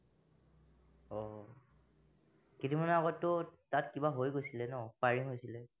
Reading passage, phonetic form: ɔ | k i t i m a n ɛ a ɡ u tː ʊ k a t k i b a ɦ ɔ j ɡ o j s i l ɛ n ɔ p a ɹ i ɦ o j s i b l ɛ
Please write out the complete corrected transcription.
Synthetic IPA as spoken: ɔ | k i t i m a n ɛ a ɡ ɔ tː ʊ t a t k i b a ɦ o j ɡ o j s i l ɛ n ɔ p a ɹ i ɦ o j s i l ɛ